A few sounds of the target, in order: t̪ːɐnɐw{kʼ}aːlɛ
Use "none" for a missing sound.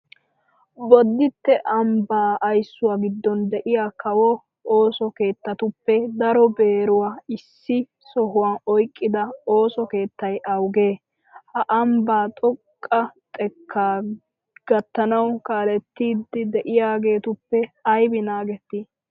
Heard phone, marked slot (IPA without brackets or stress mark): k